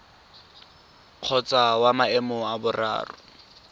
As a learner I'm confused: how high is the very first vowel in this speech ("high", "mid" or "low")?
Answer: mid